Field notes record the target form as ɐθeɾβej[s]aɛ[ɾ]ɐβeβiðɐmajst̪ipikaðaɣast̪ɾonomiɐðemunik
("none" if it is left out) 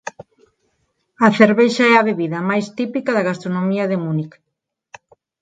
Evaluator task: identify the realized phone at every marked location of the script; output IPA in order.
ʃ, none

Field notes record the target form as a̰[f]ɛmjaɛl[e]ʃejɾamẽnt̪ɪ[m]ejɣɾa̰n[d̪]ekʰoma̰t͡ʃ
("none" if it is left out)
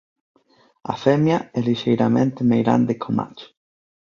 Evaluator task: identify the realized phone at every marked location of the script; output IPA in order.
f, i, m, d̪

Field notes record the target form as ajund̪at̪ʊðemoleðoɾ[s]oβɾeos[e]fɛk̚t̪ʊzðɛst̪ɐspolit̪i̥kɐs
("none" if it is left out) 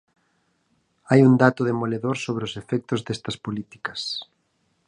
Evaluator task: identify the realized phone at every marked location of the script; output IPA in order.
s, e

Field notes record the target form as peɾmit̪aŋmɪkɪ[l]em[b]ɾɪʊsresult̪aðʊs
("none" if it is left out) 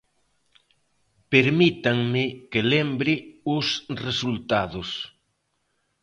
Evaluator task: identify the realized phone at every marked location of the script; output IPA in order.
l, b

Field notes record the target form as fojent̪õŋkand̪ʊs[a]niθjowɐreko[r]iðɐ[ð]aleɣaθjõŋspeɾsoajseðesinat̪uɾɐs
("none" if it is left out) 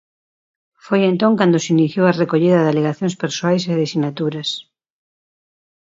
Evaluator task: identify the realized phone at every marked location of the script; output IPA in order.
i, ʎ, ð

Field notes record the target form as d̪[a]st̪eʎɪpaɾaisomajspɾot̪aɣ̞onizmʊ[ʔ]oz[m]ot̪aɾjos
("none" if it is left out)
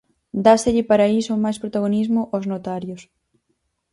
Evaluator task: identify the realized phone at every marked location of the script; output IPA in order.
a, ʔ, n

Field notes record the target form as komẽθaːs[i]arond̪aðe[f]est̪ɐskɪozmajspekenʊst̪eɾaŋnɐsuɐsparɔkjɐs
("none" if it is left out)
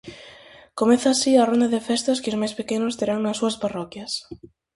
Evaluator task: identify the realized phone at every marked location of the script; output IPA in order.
i, f

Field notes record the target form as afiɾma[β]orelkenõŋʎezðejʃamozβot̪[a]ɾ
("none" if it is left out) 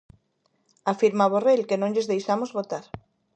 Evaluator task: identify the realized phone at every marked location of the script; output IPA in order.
β, a

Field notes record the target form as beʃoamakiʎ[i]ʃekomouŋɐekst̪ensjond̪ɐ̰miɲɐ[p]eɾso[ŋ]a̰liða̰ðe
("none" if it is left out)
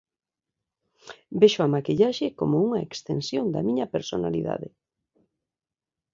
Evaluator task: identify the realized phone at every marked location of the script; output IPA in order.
a, p, n

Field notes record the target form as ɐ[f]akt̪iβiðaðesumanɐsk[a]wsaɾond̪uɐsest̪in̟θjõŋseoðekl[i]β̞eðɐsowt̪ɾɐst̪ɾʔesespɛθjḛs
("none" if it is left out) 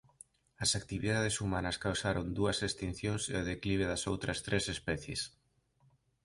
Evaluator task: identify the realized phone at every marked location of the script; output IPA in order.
s, a, i

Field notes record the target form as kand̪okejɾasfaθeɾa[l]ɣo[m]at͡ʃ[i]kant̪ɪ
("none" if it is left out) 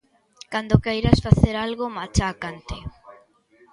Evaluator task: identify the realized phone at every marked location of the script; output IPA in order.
l, m, a

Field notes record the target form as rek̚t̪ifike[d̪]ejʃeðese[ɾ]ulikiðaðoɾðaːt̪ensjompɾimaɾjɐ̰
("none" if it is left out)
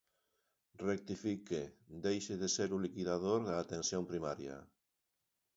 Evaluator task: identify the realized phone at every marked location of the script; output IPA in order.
d̪, ɾ

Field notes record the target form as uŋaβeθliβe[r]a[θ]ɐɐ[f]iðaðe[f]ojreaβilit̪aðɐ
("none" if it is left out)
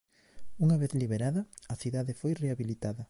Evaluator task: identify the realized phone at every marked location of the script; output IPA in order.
ɾ, ð, θ, f

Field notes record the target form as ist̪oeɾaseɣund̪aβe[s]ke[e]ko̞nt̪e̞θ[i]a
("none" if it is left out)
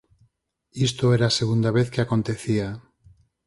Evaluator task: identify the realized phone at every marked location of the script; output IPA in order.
θ, a, i

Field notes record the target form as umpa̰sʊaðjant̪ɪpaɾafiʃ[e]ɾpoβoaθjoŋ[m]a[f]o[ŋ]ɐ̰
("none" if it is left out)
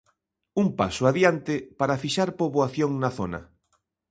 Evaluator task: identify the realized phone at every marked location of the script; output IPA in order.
a, n, θ, n

